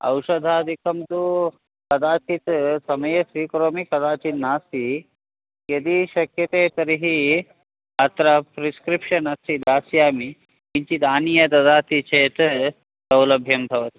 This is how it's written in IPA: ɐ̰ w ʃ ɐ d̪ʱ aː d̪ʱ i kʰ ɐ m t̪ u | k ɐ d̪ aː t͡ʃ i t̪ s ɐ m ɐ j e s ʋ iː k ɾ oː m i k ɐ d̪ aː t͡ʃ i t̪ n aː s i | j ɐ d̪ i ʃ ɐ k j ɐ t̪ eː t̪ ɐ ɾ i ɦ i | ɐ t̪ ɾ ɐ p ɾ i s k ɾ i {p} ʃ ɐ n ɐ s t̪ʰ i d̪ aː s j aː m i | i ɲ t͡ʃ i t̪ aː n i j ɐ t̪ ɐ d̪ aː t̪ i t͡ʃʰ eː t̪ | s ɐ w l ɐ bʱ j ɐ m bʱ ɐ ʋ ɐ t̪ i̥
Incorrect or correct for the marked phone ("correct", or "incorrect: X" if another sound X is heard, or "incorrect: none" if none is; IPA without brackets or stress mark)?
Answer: correct